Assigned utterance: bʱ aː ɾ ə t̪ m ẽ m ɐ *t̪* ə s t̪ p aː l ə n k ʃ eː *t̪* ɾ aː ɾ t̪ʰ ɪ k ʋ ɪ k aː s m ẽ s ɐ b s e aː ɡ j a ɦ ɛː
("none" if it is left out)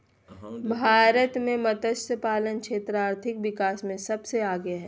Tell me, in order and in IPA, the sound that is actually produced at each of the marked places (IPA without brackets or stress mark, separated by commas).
t̪, t̪